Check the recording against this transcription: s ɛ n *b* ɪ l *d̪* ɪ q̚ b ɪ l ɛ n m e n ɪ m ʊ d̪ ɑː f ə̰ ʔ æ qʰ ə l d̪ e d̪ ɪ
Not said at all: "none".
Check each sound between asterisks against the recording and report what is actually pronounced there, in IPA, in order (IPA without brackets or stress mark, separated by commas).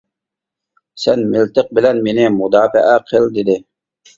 m, t̪